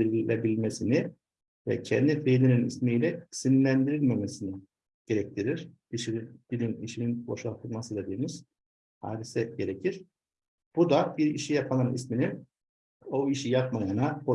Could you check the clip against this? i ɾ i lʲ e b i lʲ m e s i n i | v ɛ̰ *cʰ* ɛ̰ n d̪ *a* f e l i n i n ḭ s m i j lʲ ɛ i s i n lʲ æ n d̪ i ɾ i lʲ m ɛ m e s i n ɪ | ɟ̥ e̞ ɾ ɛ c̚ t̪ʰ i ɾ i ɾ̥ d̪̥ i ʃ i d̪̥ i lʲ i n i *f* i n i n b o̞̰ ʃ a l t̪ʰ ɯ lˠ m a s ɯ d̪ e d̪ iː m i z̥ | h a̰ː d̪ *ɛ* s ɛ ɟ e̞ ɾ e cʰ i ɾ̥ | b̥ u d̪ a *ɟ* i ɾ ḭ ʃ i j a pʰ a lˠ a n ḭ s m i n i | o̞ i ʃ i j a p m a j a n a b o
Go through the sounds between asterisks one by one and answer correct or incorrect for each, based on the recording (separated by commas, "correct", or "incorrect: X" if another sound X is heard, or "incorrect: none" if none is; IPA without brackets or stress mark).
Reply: correct, incorrect: i, incorrect: ʃ, incorrect: i, incorrect: b